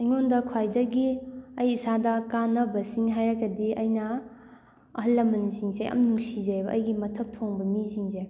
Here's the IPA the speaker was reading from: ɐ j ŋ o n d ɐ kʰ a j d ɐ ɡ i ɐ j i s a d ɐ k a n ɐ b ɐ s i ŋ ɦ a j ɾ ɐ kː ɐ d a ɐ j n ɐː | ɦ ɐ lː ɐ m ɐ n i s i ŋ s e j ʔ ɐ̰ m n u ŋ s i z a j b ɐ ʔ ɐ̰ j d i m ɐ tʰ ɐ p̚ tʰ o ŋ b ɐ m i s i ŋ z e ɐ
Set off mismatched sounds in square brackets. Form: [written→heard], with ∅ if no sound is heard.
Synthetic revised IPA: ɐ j ŋ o n d ɐ kʰ a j d ɐ ɡ i ɐ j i s a d ɐ k a n ɐ b ɐ s i ŋ ɦ a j ɾ ɐ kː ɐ d [a→i] ɐ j n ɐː | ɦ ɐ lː ɐ m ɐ n i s i ŋ s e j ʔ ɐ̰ m n u ŋ s i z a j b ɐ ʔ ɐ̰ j [d→ɡ] i m ɐ tʰ ɐ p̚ tʰ o ŋ b ɐ m i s i ŋ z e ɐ